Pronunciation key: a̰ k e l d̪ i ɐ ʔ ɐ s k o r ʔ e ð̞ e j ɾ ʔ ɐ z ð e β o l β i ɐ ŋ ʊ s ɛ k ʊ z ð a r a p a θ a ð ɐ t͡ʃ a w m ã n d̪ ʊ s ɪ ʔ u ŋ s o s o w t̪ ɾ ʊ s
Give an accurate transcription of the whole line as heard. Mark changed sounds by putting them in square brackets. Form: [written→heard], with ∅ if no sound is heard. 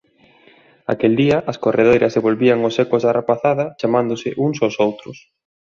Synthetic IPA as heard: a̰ k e l d̪ i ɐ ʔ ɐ s k o r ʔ e ð̞ e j ɾ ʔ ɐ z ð e β o l β i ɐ ŋ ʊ s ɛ k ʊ z ð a r a p a θ a ð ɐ t͡ʃ a [w→∅] m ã n d̪ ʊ s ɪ ʔ u ŋ s o s o w t̪ ɾ ʊ s